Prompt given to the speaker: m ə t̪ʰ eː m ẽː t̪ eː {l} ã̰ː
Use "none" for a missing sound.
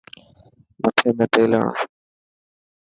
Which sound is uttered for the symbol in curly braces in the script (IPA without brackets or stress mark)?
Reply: l